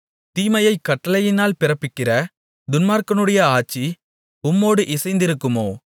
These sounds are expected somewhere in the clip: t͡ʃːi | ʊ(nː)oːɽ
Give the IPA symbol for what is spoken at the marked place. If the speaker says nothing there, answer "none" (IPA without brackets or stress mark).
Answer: mː